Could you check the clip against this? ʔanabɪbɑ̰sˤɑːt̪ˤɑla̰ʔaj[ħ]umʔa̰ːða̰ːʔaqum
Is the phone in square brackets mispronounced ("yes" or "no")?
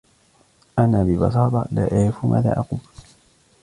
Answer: yes